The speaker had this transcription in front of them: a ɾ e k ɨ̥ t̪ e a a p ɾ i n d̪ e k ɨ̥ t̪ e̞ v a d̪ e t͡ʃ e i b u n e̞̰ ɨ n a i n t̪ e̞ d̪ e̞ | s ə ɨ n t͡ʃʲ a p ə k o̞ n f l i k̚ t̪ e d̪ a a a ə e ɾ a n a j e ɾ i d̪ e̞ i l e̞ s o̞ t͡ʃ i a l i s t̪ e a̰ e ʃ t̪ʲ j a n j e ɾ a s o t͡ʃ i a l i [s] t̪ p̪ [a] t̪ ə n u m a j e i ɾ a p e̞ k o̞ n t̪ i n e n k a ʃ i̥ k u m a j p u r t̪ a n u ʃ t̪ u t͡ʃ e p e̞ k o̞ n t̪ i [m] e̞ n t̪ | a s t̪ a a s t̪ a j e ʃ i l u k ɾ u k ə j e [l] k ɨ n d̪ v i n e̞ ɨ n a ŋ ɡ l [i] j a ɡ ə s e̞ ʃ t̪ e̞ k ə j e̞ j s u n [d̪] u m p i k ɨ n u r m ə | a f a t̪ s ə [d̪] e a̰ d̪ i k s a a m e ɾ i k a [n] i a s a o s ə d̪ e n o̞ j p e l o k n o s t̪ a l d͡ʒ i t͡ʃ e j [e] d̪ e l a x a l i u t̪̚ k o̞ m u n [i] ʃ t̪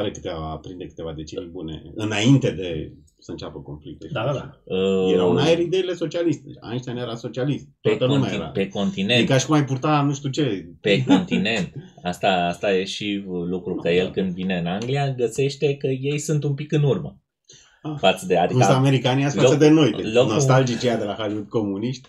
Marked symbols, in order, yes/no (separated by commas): yes, no, no, yes, yes, no, yes, yes, no, yes